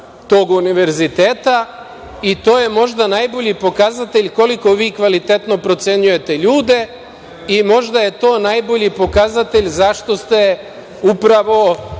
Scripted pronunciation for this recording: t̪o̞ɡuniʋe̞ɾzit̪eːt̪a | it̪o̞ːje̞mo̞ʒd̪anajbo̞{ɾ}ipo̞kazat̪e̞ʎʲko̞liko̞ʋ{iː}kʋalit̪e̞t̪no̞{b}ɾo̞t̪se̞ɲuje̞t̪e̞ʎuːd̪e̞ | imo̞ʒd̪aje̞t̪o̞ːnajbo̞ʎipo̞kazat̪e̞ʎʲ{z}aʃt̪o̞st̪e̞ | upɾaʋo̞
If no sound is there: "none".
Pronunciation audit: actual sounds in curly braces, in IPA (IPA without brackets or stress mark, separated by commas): ʎ, iː, p, z